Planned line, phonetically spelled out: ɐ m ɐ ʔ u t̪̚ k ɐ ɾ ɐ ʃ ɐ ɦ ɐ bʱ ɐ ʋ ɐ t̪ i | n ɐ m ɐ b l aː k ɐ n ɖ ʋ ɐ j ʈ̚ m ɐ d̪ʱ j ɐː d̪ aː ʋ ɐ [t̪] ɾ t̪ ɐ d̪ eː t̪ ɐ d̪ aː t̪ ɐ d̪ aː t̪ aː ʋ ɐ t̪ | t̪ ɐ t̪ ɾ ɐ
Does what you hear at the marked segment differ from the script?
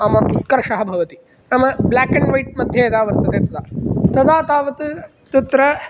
yes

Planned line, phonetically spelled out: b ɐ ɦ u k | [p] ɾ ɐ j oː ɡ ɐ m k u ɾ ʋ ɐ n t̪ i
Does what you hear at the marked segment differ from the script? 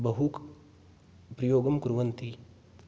no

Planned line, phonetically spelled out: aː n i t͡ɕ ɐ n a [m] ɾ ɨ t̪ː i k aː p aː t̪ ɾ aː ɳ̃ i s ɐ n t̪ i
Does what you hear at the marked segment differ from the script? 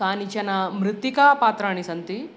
no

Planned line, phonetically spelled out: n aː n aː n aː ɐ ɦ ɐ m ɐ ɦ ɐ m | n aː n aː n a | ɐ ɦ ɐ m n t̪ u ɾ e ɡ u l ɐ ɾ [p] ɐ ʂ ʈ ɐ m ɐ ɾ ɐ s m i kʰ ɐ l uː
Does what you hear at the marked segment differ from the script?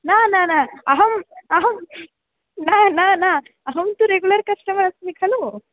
yes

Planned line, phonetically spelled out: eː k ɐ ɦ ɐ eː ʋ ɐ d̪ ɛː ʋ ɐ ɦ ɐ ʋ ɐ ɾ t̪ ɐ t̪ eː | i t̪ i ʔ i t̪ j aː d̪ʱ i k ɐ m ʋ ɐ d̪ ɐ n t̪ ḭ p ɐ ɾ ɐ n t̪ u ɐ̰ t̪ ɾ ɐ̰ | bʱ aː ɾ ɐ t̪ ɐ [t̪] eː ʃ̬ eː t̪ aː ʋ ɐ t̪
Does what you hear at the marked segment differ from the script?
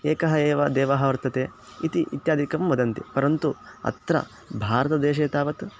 yes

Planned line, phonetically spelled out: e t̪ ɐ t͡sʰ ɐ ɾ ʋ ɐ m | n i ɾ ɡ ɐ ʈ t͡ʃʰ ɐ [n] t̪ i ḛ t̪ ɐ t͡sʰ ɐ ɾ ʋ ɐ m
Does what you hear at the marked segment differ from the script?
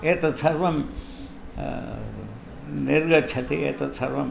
yes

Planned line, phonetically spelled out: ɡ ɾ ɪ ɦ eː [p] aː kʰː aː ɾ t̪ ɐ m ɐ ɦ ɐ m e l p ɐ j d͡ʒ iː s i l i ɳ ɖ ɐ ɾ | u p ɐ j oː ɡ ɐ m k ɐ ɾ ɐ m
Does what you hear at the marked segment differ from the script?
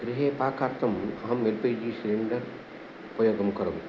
no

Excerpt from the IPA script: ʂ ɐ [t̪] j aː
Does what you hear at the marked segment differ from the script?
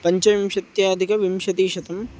no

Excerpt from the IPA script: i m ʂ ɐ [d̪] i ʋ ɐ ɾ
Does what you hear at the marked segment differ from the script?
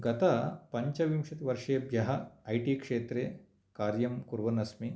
yes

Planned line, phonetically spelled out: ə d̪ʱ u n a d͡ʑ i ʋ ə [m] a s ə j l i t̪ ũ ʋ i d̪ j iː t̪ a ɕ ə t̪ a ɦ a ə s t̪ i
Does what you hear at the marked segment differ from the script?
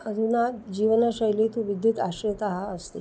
yes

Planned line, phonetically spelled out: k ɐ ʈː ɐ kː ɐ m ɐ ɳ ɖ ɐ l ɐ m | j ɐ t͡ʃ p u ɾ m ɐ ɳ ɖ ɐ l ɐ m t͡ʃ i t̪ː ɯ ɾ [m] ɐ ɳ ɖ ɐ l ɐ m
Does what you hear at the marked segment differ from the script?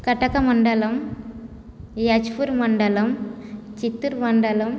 no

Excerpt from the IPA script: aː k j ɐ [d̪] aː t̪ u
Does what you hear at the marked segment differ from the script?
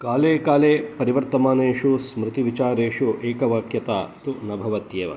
yes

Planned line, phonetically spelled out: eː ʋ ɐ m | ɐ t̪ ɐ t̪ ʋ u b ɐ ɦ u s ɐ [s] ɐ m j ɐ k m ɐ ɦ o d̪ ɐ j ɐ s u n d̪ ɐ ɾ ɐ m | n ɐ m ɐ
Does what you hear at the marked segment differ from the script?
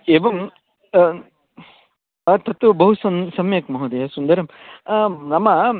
no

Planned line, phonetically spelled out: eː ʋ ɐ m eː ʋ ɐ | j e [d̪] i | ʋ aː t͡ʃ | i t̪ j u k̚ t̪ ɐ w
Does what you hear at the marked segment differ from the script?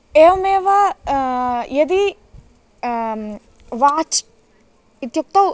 no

